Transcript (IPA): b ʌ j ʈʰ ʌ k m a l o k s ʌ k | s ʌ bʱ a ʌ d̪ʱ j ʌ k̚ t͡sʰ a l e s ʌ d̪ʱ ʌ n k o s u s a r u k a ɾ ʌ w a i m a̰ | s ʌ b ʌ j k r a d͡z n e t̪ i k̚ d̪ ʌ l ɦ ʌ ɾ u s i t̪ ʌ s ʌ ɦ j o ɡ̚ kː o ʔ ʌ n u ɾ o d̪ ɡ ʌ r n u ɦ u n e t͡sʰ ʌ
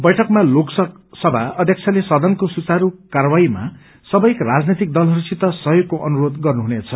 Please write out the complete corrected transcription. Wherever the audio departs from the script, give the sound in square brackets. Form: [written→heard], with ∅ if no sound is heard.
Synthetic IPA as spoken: b ʌ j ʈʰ ʌ k m a l o k s ʌ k | s ʌ bʱ a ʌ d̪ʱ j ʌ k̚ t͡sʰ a l e s ʌ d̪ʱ ʌ n k o s u [s→t͡s] a [r→ɾ] u k a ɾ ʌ w a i m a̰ | s ʌ b ʌ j k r a d͡z n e t̪ i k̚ d̪ ʌ l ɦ ʌ ɾ u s i t̪ ʌ s ʌ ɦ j o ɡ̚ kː o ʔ ʌ n u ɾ o d̪ ɡ ʌ r n u ɦ u n e t͡sʰ ʌ